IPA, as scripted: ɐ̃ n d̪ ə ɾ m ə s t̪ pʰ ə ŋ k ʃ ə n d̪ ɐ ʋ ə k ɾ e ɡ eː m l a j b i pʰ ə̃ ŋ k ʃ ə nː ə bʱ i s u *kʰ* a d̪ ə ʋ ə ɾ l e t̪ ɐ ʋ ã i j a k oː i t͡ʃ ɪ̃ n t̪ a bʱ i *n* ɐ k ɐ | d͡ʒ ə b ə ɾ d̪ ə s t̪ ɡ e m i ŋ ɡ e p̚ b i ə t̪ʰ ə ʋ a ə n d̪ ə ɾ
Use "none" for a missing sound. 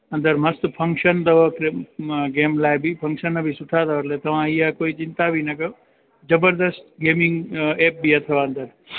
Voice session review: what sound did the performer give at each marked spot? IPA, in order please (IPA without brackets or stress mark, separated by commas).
ʈʰ, n